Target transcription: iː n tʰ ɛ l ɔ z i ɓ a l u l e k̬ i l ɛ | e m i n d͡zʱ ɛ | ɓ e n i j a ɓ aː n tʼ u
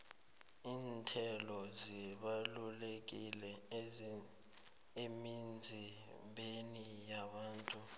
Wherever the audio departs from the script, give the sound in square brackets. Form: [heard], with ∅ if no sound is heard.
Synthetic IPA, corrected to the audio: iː n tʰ ɛ l ɔ z i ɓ a l u l e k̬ i l ɛ | e m i n d͡zʱ [i] | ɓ e n i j a ɓ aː n tʼ u